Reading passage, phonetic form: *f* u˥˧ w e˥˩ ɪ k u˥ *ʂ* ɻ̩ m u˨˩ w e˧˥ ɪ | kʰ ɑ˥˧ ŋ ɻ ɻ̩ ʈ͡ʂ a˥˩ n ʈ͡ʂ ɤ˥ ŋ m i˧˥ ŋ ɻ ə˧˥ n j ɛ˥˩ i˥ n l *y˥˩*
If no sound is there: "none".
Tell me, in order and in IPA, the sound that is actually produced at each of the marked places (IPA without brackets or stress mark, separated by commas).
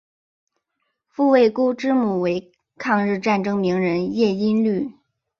f, ʈ͡ʂ, y˥˩